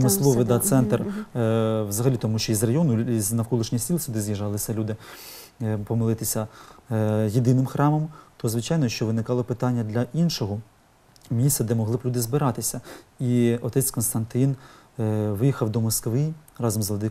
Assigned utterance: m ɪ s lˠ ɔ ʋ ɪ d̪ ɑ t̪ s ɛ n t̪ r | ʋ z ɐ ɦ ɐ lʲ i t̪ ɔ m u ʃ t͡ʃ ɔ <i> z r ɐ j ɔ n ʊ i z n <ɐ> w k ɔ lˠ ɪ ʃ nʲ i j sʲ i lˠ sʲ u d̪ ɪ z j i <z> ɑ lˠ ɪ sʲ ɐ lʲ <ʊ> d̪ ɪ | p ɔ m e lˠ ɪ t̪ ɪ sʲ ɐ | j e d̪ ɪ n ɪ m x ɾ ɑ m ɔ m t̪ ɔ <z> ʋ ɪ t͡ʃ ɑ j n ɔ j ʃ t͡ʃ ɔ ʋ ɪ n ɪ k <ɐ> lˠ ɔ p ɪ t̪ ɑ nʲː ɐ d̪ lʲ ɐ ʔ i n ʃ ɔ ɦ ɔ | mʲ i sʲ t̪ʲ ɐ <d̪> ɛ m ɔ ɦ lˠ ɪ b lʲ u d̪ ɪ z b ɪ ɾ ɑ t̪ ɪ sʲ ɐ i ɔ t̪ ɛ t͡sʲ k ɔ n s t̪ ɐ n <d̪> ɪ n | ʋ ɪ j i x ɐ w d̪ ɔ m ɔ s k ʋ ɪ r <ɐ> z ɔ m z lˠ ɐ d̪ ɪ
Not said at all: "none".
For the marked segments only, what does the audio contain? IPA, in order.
i, ɐ, ʒ, u, z, ɑ, d̪, t̪, ɑ

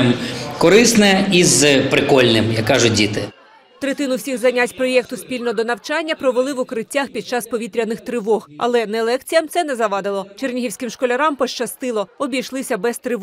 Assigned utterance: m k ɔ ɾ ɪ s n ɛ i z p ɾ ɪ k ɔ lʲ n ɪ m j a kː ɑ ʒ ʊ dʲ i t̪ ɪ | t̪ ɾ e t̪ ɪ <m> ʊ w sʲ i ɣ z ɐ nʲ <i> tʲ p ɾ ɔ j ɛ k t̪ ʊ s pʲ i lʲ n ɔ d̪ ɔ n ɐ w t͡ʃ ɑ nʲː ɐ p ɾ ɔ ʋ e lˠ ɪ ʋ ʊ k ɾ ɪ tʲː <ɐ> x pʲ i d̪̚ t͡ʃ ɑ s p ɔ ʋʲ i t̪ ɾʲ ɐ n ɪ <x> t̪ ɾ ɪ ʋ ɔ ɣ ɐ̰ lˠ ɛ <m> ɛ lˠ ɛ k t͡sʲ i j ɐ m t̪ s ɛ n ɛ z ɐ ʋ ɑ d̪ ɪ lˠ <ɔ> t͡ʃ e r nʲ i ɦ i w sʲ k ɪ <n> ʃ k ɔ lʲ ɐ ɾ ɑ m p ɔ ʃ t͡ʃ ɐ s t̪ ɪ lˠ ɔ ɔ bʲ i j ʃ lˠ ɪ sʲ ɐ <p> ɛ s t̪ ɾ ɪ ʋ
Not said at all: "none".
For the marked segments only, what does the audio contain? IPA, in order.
n, a, a, x, n, ɔ, m, b

